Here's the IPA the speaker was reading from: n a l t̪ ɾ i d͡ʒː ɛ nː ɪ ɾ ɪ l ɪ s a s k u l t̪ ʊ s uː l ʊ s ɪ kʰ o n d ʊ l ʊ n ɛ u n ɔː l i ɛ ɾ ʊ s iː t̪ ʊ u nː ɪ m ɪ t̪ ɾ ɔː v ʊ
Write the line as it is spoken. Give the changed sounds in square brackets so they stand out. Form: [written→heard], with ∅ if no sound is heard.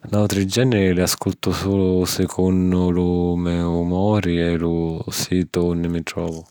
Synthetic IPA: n a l t̪ ɾ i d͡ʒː ɛ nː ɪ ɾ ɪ l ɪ [s→∅] a s k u l t̪ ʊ s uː l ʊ s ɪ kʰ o n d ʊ l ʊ [n→m] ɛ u [n→m] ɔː [l→ɾ] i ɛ [ɾ→l] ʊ s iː t̪ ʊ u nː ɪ m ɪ t̪ ɾ ɔː v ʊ